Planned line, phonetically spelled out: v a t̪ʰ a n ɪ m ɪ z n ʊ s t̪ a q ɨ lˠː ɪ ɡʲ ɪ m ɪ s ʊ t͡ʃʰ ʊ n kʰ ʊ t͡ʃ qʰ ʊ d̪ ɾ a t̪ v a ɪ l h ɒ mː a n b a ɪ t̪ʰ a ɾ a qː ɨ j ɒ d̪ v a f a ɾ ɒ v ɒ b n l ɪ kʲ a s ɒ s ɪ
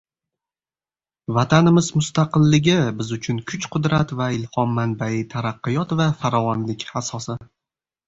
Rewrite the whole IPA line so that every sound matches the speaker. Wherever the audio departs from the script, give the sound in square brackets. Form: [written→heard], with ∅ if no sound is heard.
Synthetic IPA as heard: v a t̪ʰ a n ɪ m ɪ z [n→m] ʊ s t̪ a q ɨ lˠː ɪ ɡʲ ɪ [m→b] ɪ [s→z] ʊ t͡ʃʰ ʊ n kʰ ʊ t͡ʃ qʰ ʊ d̪ ɾ a t̪ v a ɪ l h ɒ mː a n b a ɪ t̪ʰ a ɾ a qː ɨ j ɒ [d̪→t̪] v a f a ɾ ɒ v ɒ [b→∅] n l ɪ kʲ a s ɒ s ɪ